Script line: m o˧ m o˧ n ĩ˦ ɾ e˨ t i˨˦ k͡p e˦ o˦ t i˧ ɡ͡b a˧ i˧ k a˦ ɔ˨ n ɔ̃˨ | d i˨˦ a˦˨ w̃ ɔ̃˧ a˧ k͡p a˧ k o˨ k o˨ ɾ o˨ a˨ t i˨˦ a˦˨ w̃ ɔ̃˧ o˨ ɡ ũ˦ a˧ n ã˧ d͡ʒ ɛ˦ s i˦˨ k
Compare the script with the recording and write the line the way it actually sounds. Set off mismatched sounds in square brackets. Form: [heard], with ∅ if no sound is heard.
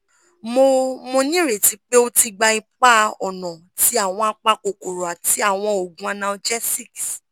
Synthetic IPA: m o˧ m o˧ n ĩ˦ ɾ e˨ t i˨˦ k͡p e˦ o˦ t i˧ ɡ͡b a˧ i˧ [k͡p] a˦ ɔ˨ n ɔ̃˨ | [t] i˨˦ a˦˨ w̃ ɔ̃˧ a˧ k͡p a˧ k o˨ k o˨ ɾ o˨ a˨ t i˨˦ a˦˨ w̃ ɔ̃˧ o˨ ɡ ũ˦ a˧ n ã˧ d͡ʒ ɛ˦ s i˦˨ k